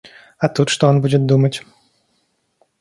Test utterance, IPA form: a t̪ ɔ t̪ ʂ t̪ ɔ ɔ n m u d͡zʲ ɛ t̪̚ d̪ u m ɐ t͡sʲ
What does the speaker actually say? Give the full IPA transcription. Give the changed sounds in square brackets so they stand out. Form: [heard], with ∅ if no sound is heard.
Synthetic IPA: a t̪ [u] t̪ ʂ t̪ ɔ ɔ n [b] u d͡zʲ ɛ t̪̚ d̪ u m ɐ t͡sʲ

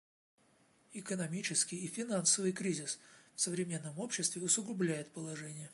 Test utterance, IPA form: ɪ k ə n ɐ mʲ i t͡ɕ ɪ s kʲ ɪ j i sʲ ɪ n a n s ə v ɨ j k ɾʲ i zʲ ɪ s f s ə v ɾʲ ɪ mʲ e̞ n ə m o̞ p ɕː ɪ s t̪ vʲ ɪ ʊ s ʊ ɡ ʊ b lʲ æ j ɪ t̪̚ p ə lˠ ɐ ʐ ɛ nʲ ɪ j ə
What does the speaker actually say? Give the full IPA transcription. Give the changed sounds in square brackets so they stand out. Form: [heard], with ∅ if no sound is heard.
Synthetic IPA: ɪ k ə n ɐ mʲ i t͡ɕ ɪ s kʲ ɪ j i [fʲ] ɪ n a n s ə v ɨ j k ɾʲ i zʲ ɪ s f s ə v ɾʲ ɪ mʲ e̞ [nː] ə m o̞ p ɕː ɪ s t̪ vʲ ɪ ʊ s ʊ ɡ ʊ b lʲ æ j ɪ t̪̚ p ə lˠ ɐ ʐ ɛ nʲ ɪ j ə

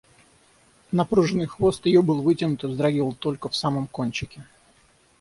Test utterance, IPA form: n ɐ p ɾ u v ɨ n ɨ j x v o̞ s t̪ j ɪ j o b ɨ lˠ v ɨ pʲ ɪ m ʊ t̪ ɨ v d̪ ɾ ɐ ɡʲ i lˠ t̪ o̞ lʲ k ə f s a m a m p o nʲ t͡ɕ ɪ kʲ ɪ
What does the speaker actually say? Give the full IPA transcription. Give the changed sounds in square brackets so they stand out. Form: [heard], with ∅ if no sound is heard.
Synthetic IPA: n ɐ p ɾ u [ʐ] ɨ n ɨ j x v o̞ s t̪ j ɪ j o b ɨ lˠ v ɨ [tʲ] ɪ [n] ʊ t̪ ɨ [z] d̪ ɾ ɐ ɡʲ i lˠ t̪ o̞ lʲ k ə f s a m [ə] m [k] o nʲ t͡ɕ ɪ kʲ ɪ

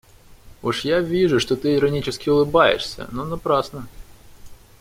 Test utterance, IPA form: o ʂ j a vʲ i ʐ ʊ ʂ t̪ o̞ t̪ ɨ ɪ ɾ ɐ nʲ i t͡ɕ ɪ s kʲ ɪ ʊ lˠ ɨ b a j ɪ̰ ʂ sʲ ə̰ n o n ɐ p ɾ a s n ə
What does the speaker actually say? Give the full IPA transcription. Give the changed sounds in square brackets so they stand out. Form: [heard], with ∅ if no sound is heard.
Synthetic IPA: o ʂ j a vʲ i ʐ ʊ ʂ t̪ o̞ t̪ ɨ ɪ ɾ ɐ nʲ i t͡ɕ ɪ s kʲ ɪ ʊ lˠ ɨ b a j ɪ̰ ʂ sʲ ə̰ n o n ɐ p ɾ a s n ə

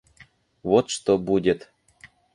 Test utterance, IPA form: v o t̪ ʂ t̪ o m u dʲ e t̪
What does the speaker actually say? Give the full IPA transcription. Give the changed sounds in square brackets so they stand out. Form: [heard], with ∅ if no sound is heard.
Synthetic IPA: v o t̪ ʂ t̪ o [b] u dʲ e t̪

